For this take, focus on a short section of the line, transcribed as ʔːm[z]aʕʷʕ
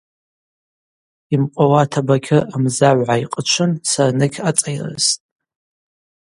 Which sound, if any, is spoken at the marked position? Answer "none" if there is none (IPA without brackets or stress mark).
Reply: z